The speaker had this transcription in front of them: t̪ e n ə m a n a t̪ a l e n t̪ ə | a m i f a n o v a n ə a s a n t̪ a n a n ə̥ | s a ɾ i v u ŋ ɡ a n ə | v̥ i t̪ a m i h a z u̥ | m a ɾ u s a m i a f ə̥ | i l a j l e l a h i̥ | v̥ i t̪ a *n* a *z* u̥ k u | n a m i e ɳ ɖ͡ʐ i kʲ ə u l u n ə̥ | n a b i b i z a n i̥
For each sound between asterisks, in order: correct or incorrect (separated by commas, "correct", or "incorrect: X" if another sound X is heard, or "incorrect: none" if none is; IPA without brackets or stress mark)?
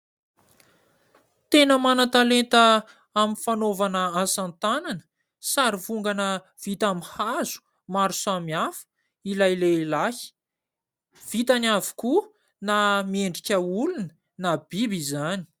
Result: correct, incorrect: v